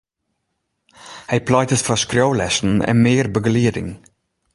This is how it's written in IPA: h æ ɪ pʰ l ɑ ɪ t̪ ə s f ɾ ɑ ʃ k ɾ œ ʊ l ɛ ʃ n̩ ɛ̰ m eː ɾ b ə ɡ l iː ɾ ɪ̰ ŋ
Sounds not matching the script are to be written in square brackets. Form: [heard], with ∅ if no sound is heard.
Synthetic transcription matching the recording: h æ ɪ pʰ l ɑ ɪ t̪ ə s f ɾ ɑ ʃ k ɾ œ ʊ l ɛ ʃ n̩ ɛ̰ m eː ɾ b ə ɡ l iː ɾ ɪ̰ ŋ